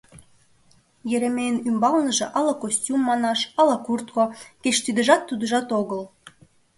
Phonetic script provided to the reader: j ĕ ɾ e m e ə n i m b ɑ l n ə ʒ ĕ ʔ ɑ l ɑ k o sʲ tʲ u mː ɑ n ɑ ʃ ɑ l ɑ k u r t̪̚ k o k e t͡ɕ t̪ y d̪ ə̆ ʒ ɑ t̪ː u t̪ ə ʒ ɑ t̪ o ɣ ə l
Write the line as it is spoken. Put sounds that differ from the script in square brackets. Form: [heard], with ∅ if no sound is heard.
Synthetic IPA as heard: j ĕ ɾ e m e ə n [y] m b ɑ l n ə ʒ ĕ ʔ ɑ l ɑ k o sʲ tʲ u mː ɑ n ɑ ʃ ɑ l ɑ k u r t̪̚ k o k e t͡ɕ t̪ y d̪ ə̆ ʒ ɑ t̪ː u [d̪] ə ʒ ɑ t̪ o ɣ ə l